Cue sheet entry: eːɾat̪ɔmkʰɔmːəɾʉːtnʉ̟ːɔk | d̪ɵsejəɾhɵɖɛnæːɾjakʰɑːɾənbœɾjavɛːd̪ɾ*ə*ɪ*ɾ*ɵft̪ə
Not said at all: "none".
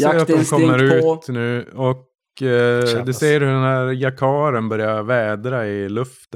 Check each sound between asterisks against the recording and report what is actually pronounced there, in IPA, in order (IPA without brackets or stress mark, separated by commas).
a, l